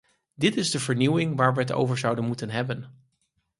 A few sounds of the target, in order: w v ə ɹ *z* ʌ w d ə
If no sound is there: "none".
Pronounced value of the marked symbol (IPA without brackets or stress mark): z